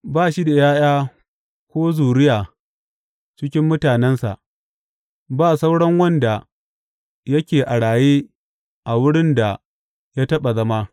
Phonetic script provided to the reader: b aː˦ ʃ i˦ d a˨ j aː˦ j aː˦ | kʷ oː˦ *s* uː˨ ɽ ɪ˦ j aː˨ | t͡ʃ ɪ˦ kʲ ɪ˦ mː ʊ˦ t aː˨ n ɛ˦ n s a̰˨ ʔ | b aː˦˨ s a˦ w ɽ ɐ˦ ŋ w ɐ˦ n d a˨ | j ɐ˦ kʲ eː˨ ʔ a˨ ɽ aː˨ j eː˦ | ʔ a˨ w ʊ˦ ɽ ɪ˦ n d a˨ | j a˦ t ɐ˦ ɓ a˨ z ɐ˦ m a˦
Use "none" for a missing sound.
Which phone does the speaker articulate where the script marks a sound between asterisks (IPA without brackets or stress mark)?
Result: z